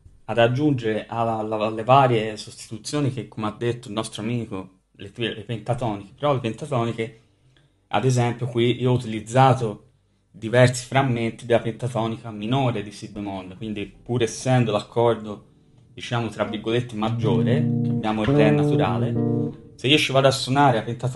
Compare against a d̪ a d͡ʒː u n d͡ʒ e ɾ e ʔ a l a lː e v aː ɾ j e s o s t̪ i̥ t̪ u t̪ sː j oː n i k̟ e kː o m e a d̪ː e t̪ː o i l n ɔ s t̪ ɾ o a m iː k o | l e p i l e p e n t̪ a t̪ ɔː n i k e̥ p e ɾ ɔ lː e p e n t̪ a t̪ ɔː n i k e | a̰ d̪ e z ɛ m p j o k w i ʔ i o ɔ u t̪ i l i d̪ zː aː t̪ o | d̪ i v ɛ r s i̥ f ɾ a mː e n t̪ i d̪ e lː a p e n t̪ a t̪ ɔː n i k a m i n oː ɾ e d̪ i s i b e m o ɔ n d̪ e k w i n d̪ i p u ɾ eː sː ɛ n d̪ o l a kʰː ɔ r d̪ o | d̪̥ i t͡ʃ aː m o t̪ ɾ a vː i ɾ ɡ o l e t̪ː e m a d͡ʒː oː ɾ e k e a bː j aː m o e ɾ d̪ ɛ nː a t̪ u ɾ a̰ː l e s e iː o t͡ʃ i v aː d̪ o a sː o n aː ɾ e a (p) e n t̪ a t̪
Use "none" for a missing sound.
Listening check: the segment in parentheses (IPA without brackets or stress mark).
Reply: p